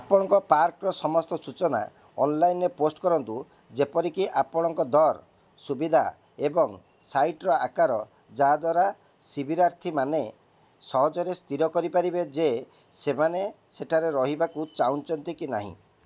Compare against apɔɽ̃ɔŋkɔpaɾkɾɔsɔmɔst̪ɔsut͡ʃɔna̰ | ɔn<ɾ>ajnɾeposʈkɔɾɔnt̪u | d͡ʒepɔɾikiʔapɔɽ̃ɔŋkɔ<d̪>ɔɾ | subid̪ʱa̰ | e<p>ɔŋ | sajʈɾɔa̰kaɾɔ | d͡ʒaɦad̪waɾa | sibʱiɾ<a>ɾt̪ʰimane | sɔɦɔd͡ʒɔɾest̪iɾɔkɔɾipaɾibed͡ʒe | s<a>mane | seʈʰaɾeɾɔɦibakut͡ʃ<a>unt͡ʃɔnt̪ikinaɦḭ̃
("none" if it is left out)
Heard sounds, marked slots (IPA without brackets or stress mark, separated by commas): l, d̪, b, a, e, a